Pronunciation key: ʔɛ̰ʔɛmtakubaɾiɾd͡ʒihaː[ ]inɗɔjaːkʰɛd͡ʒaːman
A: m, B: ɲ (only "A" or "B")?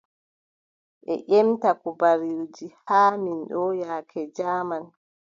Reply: A